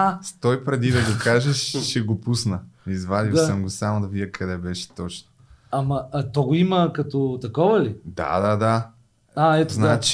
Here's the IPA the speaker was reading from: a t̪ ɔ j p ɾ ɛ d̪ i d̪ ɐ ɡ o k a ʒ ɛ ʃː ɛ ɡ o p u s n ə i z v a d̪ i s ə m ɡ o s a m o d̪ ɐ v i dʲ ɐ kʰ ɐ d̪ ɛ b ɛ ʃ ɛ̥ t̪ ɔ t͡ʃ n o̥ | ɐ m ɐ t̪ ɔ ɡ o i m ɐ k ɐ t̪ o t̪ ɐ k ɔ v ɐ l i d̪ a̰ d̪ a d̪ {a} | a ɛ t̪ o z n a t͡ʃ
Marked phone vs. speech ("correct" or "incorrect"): correct